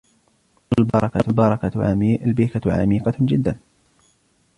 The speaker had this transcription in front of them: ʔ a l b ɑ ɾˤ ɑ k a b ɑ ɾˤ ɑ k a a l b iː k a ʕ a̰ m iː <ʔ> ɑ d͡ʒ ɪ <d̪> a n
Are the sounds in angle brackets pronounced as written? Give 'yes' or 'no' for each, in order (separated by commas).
no, no